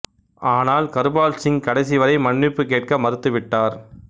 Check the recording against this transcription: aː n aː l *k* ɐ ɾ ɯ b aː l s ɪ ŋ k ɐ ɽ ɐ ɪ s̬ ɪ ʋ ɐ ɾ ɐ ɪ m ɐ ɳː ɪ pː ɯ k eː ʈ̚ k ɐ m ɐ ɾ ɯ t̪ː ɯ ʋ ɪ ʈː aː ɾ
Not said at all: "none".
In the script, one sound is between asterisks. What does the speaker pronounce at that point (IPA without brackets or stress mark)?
k